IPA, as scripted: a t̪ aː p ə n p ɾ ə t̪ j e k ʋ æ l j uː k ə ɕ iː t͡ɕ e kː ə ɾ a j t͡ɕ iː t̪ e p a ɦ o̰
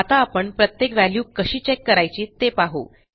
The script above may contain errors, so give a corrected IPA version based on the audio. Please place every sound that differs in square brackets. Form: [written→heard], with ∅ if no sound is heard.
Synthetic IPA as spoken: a t̪ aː p ə [n→ɳ] p ɾ ə t̪ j e k ʋ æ l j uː k ə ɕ iː t͡ɕ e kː ə ɾ a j t͡ɕ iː t̪ e p a ɦ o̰